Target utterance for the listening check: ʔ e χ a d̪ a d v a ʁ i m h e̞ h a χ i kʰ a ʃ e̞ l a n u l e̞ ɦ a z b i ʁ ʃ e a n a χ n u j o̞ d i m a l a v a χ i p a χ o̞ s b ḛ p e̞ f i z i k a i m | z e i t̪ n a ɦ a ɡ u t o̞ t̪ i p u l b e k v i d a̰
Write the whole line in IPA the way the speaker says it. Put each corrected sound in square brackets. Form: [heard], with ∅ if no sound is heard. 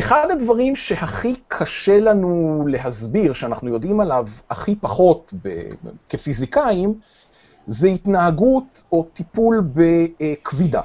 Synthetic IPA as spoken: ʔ e χ a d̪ a d v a ʁ i m [ʃ] e̞ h a χ i kʰ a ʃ e̞ l a n u l e̞ ɦ a z b i ʁ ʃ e a n a χ n u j o̞ d i m a l a v a χ i p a χ o̞ [t] b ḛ [k] e̞ f i z i k a i m | z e i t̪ n a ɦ a ɡ u t o̞ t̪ i p u l b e k v i d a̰